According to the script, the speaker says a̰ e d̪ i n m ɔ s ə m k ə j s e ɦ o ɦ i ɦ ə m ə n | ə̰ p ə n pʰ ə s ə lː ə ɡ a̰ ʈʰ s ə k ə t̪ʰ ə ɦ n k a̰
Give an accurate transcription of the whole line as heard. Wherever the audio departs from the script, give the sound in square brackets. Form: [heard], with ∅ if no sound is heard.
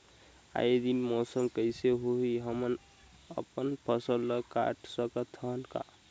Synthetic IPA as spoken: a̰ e d̪ i n m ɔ s ə m k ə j s e ɦ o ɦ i ɦ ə m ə n | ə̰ p ə n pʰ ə s ə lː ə [k] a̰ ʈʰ s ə k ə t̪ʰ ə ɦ n k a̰